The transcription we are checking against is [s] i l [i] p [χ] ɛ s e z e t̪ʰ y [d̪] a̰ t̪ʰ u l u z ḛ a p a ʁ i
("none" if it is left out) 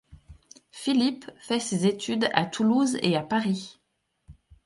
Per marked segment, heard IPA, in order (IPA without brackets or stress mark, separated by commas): f, i, f, d̪